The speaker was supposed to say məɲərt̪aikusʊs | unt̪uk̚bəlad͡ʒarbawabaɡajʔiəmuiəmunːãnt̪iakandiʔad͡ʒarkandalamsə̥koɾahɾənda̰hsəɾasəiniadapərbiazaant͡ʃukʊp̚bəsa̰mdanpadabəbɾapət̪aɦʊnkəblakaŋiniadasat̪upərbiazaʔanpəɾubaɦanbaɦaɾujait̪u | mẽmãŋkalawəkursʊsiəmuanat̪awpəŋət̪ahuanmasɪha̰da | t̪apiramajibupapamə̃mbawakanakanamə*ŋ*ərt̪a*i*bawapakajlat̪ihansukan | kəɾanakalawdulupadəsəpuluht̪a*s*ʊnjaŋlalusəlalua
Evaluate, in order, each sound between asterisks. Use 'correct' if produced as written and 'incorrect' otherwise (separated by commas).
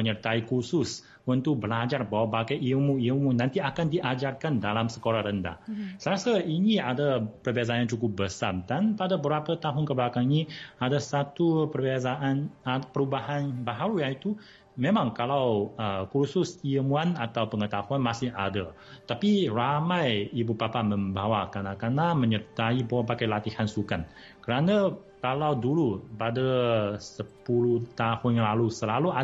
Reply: incorrect, correct, incorrect